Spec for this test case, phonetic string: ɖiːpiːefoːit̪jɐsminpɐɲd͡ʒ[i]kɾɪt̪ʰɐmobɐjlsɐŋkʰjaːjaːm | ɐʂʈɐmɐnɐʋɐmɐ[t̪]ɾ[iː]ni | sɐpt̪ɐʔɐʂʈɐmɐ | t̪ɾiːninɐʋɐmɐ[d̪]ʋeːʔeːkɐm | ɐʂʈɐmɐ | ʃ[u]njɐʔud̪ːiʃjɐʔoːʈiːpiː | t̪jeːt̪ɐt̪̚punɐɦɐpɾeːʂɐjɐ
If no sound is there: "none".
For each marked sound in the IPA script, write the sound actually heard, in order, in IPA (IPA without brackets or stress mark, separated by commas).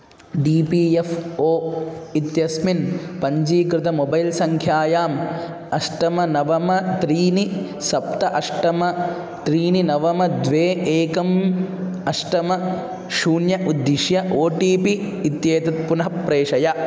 iː, t̪, iː, d̪, uː